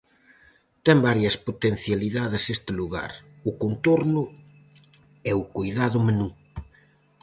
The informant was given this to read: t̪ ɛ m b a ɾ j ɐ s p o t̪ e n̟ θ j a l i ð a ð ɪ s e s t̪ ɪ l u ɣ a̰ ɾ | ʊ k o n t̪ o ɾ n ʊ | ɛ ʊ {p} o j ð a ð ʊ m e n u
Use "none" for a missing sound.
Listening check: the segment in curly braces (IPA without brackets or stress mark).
k